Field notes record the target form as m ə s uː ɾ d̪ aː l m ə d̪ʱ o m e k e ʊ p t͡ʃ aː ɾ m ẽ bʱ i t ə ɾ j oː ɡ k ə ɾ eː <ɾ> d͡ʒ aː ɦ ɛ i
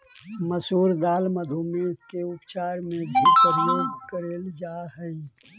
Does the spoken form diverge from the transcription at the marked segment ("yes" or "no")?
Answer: yes